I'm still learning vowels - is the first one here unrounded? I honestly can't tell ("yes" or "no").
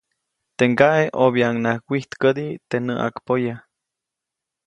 yes